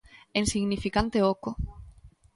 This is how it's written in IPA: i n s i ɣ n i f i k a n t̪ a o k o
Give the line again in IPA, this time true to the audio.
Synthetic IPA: e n s i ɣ n i f i k a n t̪ e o k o